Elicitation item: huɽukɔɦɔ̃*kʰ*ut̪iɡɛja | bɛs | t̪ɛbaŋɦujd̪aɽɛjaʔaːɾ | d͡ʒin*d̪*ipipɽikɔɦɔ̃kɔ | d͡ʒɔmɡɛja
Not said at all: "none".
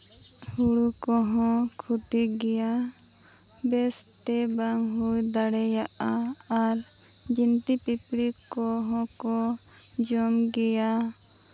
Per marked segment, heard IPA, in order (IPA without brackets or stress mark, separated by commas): kʰ, t̪